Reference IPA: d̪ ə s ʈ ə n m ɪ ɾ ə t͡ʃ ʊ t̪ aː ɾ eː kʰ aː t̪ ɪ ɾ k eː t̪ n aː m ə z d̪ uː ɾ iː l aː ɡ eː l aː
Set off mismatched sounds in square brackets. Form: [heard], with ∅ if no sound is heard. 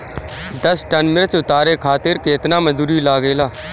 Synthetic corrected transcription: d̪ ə s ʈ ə n m ɪ ɾ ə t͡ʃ ʊ t̪ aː ɾ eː kʰ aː t̪ ɪ ɾ k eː t̪ n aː m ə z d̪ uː ɾ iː l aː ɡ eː l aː